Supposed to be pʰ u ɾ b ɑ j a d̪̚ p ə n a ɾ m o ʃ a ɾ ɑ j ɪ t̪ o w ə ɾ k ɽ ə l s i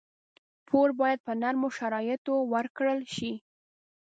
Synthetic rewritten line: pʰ o ɾ b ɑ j a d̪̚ p ə n a ɾ m o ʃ a ɾ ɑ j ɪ t̪ o w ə ɾ k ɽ ə l ʃ i